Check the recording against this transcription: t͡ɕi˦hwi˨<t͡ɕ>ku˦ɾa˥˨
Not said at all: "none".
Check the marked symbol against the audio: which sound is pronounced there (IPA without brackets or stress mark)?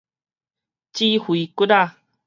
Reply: none